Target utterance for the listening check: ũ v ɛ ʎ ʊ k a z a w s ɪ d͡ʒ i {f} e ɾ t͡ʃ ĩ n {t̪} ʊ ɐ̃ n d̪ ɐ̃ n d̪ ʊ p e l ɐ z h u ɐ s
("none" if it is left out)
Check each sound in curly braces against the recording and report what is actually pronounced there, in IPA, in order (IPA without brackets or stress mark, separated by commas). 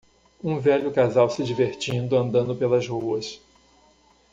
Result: v, d̪